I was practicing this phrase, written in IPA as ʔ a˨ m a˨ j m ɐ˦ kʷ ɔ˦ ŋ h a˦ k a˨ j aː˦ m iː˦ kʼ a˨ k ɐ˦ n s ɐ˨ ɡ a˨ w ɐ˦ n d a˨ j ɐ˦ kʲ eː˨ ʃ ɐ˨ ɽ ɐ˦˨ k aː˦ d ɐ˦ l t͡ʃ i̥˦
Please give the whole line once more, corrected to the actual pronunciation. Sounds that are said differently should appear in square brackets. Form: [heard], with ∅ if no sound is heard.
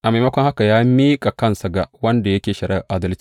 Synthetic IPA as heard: ʔ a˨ m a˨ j m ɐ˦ kʷ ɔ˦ ŋ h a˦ k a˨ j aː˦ m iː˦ kʼ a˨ k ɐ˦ n s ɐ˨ ɡ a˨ w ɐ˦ n d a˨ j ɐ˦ kʲ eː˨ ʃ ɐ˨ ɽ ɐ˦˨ [ʔ] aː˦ d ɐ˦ l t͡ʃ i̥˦